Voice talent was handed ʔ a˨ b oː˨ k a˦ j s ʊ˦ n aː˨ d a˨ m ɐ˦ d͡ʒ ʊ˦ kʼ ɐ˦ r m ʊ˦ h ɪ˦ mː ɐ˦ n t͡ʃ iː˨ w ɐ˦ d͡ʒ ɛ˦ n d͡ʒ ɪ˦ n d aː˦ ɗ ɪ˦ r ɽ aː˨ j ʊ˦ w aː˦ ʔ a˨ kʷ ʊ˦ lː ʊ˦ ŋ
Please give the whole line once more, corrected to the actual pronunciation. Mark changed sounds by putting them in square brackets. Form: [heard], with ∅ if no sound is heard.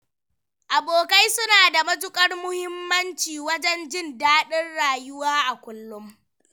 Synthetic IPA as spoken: ʔ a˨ b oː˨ k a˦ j s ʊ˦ n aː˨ d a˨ m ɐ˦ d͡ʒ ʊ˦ kʼ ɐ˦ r m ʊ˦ h ɪ˦ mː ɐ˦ n t͡ʃ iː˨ w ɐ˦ d͡ʒ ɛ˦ n d͡ʒ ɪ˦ n d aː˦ ɗ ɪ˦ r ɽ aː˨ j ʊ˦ w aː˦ ʔ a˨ kʷ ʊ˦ lː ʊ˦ [m]